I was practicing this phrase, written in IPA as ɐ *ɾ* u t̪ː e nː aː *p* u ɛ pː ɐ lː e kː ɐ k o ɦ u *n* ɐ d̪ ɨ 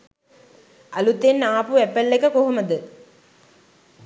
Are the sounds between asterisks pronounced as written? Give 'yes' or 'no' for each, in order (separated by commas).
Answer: no, yes, no